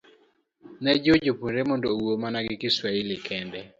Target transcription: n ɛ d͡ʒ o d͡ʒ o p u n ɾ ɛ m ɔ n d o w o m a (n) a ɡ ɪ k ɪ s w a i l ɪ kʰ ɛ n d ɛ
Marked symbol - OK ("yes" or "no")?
yes